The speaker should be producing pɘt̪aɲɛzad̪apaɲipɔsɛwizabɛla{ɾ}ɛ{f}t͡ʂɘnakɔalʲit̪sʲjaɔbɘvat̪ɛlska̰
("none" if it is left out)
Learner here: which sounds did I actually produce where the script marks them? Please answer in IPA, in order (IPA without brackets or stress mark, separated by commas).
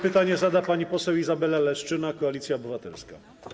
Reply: l, ʂ